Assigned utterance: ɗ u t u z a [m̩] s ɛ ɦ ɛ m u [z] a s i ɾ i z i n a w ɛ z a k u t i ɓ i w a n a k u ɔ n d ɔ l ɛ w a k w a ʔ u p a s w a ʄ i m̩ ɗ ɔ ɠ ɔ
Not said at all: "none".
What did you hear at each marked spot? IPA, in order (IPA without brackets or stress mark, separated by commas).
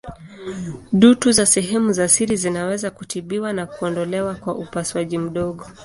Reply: none, z